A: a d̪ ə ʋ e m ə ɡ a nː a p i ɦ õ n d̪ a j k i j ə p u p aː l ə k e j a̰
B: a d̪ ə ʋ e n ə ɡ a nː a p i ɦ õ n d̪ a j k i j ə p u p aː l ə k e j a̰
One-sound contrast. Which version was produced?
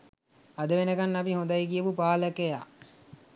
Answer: B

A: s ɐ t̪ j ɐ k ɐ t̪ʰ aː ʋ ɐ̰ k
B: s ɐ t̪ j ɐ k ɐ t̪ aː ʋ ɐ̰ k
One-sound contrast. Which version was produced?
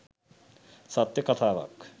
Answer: A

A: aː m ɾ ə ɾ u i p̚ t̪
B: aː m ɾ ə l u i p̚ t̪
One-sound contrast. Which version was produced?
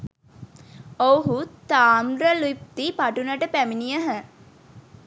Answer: B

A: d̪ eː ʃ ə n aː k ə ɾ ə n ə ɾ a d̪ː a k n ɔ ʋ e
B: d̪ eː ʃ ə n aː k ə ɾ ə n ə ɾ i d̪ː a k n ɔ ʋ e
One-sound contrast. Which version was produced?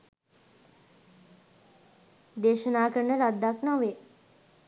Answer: A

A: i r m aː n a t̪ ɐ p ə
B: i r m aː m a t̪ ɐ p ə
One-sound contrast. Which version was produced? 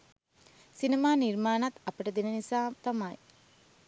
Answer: A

